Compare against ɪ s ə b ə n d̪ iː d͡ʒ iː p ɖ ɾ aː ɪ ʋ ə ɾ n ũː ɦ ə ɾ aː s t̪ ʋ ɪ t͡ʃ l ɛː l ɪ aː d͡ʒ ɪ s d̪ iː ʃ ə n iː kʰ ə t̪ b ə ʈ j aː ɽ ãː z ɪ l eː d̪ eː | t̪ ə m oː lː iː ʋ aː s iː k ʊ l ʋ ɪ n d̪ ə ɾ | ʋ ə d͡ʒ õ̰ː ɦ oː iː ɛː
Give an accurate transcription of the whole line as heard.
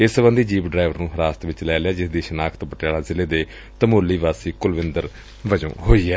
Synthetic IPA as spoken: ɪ s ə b ə n d̪ iː d͡ʒ iː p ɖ ɾ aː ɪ ʋ ə ɾ n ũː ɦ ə ɾ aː s t̪ ʋ ɪ t͡ʃ l ɛː l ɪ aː d͡ʒ ɪ s d̪ iː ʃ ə n aː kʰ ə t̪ b ə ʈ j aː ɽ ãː z ɪ l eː d̪ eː | t̪ ə m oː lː iː ʋ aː s iː k ʊ l ʋ ɪ n d̪ ə ɾ | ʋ ə d͡ʒ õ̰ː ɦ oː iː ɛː